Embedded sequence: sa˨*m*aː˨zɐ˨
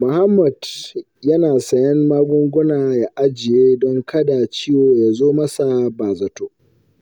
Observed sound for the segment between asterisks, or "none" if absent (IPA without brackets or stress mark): b